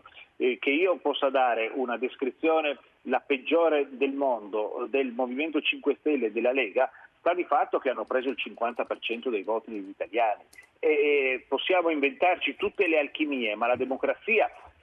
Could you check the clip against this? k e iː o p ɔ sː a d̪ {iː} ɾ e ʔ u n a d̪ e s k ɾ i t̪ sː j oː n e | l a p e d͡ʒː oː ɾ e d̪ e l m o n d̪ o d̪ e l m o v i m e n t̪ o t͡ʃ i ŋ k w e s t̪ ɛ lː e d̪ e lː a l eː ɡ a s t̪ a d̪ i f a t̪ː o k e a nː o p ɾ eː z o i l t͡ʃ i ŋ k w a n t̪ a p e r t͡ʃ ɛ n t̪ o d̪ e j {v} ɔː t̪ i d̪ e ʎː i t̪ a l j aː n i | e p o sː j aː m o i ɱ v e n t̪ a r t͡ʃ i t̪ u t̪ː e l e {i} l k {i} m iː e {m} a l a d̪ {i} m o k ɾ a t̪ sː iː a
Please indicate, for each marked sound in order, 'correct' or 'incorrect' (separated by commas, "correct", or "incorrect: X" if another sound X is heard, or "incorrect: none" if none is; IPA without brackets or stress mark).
incorrect: aː, correct, incorrect: a, correct, correct, incorrect: e